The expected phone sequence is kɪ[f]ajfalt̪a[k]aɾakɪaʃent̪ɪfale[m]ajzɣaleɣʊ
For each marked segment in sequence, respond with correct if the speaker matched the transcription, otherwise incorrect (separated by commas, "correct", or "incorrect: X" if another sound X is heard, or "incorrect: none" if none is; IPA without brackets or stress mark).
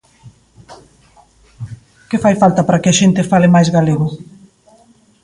correct, incorrect: p, correct